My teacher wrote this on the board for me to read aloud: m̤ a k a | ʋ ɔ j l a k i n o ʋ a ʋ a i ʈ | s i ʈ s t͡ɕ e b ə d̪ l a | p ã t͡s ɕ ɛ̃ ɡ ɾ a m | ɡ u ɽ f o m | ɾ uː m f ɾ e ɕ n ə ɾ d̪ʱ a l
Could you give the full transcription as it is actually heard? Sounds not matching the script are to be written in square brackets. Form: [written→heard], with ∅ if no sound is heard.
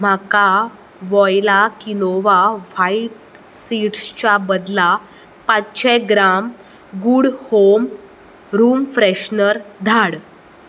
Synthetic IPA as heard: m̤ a k a | ʋ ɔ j l a k i n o ʋ a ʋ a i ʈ | s i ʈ s t͡ɕ [e→a] b ə d̪ l a | p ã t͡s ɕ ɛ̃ ɡ ɾ a m | ɡ u ɽ [f→h] o m | ɾ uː m f ɾ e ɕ n ə ɾ d̪ʱ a [l→ɽ]